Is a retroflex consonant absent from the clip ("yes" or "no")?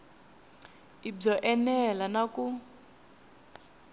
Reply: no